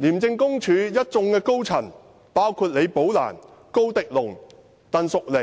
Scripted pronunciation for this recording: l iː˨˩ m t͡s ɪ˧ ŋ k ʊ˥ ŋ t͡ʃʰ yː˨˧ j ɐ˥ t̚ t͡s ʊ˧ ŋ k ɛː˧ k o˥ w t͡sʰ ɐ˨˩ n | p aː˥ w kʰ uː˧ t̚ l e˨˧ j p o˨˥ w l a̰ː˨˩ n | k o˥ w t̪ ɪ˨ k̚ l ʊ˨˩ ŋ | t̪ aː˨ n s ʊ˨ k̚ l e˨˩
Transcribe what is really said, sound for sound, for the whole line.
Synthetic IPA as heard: l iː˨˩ m t͡s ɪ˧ ŋ k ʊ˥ ŋ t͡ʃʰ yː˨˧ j ɐ˥ t̚ t͡s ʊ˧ ŋ k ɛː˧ k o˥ w t͡sʰ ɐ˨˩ n | p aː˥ w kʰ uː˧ t̚ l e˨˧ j p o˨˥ w l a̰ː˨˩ n | k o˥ w t̪ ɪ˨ k̚ l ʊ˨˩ ŋ | t̪ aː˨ n s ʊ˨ k̚ l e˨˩